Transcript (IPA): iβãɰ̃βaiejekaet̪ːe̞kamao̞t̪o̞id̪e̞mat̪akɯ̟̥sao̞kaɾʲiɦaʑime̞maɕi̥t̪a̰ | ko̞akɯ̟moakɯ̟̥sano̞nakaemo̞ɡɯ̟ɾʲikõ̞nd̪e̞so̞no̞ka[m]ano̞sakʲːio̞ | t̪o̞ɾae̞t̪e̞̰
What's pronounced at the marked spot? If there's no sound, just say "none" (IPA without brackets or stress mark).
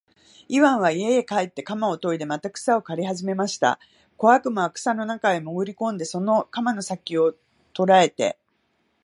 m